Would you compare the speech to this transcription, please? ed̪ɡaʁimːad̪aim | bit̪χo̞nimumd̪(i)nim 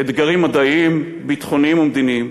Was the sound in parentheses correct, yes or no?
yes